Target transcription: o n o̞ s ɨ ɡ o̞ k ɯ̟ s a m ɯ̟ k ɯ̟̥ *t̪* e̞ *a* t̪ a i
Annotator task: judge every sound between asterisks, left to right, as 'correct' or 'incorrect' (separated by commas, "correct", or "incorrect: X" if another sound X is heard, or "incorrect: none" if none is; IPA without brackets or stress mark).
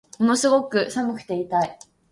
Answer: correct, incorrect: i